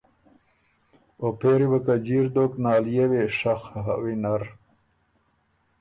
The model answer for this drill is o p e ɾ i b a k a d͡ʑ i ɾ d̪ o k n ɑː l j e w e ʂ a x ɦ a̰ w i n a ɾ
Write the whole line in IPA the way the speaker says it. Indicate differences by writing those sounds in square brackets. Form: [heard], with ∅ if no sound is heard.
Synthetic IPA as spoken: o p e ɾ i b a k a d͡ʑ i ɾ d̪ o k n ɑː l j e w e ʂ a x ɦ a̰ w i n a ɾ